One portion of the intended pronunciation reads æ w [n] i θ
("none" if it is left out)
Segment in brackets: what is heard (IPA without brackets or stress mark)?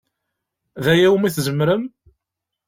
m